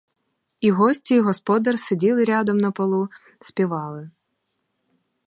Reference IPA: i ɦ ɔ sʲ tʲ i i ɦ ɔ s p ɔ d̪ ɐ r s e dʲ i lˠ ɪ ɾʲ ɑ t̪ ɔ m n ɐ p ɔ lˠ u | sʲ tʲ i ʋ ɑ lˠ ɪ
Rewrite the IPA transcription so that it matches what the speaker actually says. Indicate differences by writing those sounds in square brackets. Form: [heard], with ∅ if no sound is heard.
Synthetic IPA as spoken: i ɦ ɔ sʲ tʲ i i ɦ ɔ s p ɔ d̪ ɐ r s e dʲ i lˠ ɪ ɾʲ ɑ [d̪] ɔ m n ɐ p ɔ lˠ u | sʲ [pʲ] i ʋ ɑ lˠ ɪ